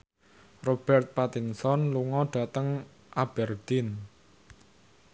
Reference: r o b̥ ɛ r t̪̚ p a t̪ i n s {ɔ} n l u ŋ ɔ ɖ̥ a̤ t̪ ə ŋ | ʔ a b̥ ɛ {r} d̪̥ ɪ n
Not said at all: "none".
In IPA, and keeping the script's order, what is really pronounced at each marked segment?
ɔ, r

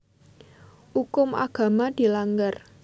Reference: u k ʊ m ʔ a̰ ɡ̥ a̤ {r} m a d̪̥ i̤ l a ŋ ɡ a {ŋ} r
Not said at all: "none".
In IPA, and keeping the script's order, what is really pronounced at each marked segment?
none, none

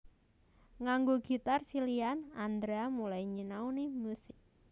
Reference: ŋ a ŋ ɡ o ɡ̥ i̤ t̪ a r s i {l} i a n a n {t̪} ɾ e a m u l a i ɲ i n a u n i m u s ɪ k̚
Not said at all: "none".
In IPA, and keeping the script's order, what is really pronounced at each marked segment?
l, d̪

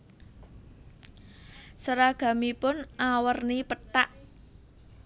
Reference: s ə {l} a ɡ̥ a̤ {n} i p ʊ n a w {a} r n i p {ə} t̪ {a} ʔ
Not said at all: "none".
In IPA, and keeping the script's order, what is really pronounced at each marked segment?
ɾ, m, ə, ə, a

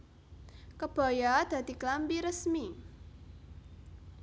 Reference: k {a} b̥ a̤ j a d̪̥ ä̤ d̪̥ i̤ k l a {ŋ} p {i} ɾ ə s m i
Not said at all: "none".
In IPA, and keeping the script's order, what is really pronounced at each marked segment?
ə, m, i

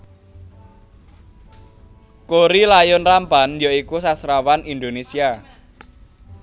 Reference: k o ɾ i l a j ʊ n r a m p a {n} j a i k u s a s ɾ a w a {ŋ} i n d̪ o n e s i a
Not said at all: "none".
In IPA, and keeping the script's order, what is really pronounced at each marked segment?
n, n

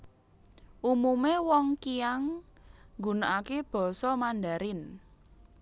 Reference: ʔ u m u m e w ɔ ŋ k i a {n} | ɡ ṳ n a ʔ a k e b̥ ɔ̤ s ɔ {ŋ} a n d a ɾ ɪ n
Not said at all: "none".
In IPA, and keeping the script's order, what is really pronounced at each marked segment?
ŋ, m

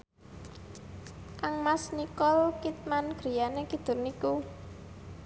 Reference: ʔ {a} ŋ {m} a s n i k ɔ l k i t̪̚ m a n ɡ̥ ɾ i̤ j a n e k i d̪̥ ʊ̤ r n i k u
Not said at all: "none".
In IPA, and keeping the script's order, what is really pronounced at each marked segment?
a, m

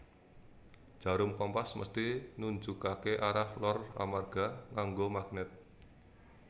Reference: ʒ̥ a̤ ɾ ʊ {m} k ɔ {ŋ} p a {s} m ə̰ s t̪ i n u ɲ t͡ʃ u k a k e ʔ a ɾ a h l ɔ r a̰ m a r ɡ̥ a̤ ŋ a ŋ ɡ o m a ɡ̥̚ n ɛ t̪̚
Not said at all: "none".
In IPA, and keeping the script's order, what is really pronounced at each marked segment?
m, m, s

